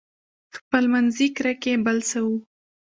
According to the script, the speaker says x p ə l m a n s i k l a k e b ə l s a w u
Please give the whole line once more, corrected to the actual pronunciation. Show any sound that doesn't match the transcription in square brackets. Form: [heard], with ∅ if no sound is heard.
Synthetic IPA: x p ə l m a n [z] i k [ɾ] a k e b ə l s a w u